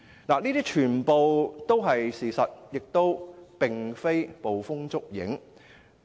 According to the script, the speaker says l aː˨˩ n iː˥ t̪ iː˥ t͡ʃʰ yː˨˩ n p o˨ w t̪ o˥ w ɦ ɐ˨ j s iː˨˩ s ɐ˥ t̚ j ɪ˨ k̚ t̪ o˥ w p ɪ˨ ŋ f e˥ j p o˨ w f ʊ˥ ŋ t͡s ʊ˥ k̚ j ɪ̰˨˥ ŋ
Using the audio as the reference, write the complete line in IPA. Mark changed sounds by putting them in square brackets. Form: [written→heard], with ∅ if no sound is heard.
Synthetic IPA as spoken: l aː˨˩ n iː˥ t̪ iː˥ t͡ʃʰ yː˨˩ n p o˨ w t̪ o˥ w ɦ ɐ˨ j s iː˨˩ s [ɐ˥→ɐ˨] t̚ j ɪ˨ k̚ t̪ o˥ w p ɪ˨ ŋ f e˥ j p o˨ w f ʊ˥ ŋ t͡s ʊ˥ k̚ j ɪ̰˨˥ ŋ